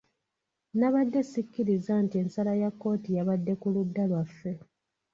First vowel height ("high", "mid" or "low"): low